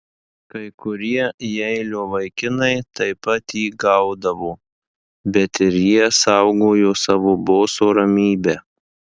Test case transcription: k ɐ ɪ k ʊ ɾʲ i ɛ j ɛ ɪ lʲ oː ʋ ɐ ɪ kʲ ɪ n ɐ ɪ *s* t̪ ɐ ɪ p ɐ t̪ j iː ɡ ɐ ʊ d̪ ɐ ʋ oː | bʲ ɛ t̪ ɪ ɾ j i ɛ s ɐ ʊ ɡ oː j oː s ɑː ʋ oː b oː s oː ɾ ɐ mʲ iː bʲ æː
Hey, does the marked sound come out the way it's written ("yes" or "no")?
no